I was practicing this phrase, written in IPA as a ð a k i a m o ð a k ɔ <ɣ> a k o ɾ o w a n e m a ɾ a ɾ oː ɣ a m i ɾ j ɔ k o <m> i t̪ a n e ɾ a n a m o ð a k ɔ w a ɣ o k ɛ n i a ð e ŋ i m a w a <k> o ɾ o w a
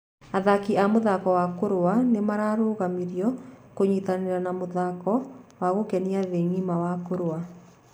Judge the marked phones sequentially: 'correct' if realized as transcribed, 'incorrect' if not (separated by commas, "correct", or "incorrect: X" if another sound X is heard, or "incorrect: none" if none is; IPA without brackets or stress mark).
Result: incorrect: w, incorrect: ɲ, correct